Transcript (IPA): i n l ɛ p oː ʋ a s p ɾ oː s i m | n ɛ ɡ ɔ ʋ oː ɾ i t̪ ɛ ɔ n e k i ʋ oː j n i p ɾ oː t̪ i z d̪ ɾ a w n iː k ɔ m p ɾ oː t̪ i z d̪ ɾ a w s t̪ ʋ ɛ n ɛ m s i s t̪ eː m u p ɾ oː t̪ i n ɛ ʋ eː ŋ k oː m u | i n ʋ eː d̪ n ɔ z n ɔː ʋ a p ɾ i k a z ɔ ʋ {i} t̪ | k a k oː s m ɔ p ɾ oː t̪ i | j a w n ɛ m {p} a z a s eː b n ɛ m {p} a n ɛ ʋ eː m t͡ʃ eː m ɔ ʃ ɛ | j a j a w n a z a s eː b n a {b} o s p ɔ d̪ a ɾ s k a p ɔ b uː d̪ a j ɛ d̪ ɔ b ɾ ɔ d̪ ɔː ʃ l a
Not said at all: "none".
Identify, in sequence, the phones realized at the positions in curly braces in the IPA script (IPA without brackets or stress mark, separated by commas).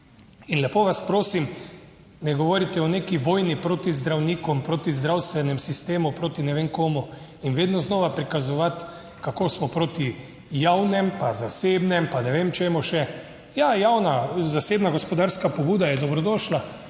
a, p, p, ɡ